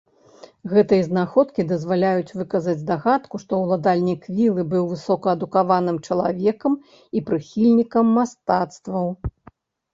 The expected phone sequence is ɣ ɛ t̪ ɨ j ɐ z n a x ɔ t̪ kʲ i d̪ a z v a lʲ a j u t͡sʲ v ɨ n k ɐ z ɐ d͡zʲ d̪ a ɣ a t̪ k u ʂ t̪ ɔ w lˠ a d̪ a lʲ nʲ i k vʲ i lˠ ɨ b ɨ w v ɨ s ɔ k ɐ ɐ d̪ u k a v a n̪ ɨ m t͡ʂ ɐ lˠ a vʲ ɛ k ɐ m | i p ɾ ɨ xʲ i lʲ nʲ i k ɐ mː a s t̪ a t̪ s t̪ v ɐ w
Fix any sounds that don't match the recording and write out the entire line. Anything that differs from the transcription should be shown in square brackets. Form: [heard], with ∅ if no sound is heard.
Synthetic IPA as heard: ɣ ɛ t̪ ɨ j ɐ z n a x ɔ t̪ kʲ i d̪ [ɐ] z v a lʲ a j u t͡sʲ v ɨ [∅] k ɐ z ɐ d͡zʲ d̪ a ɣ a t̪ k u ʂ t̪ ɔ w lˠ a d̪ a lʲ nʲ i k vʲ i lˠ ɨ b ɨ w v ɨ s ɔ k ɐ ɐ d̪ u k a v a n̪ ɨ m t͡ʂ ɐ lˠ a vʲ ɛ k ɐ m | i p ɾ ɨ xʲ i lʲ nʲ i k ɐ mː a s t̪ a t̪ s t̪ v ɐ w